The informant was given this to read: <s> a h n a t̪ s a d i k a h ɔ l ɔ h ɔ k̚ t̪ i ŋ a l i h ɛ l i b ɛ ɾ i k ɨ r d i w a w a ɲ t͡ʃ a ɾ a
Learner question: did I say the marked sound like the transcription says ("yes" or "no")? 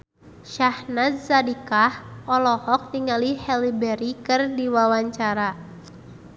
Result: no